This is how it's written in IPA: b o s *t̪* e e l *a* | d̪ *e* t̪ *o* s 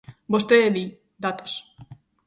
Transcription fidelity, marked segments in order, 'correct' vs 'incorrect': correct, incorrect, incorrect, correct

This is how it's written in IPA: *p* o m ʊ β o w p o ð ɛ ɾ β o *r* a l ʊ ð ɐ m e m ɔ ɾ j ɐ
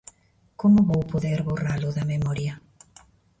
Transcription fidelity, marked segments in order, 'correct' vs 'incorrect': incorrect, correct

